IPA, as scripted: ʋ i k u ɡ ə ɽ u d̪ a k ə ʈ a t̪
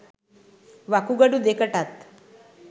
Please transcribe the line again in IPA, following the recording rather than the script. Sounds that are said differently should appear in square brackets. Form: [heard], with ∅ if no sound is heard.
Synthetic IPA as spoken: ʋ [a] k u ɡ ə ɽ u d̪ [e] k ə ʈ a t̪

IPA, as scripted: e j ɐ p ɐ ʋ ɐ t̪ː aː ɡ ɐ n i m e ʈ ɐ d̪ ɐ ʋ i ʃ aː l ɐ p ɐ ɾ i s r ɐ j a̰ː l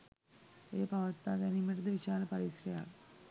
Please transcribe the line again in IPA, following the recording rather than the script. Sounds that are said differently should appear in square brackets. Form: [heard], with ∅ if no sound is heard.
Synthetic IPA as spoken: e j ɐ p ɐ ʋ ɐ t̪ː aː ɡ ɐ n i m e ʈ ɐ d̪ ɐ ʋ i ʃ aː l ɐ p ɐ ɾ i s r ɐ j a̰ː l

